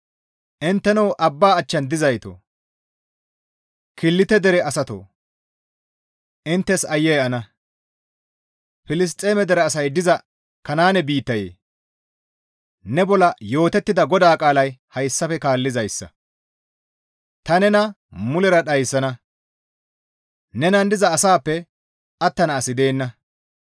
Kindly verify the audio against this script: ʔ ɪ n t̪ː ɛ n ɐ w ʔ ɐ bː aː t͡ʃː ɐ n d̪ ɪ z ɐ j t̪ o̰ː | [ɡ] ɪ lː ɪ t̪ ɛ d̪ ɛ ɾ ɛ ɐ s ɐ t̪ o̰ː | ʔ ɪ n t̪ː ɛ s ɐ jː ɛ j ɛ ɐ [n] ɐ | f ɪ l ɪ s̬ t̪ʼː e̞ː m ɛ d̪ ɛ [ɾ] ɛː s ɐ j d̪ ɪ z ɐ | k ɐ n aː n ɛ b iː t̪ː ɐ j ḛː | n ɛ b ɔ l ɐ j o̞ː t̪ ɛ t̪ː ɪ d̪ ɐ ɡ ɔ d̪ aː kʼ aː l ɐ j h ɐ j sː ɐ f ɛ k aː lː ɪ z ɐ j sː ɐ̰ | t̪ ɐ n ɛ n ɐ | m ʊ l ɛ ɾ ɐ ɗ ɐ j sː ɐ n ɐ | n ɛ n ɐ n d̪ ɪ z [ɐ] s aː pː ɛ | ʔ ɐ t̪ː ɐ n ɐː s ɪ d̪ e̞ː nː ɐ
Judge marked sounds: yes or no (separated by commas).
no, yes, yes, no